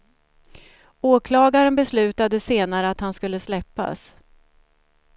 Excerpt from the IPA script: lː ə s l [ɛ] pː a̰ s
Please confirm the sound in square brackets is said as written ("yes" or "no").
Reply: yes